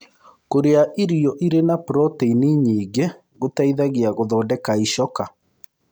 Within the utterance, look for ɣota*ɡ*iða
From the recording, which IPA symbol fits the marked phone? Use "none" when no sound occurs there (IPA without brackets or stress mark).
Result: none